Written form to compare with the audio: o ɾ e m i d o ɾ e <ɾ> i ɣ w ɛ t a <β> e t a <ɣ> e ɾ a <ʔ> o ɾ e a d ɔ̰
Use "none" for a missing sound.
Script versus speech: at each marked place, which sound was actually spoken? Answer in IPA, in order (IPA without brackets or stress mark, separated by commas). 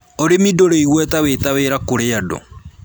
none, w, w, k